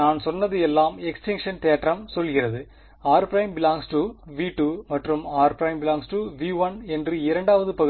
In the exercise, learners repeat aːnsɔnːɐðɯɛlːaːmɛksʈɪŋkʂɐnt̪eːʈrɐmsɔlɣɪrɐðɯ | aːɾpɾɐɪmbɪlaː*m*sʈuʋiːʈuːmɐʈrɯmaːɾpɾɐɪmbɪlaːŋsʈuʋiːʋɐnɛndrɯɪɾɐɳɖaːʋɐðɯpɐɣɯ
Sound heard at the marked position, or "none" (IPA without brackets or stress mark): ŋ